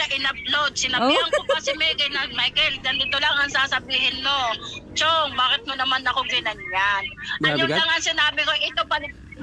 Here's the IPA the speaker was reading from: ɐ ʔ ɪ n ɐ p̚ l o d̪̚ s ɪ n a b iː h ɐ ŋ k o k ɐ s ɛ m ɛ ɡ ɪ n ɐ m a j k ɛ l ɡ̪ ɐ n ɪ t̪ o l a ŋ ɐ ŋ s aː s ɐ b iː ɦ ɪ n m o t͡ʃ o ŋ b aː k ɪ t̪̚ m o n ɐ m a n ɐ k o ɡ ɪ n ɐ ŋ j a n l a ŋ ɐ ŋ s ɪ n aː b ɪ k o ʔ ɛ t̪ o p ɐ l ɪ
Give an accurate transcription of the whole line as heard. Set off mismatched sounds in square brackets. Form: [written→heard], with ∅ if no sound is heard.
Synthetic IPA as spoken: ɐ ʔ ɪ n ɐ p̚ l o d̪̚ s ɪ n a b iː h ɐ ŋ k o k ɐ s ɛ m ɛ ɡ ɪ n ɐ m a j k ɛ l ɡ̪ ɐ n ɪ t̪ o l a ŋ ɐ ŋ s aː s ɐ b iː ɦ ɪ n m o t͡ʃ o ŋ b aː k ɪ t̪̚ m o n ɐ m a n ɐ k o ɡ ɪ n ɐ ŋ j a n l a ŋ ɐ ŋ s ɪ n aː b ɪ k o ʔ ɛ t̪ o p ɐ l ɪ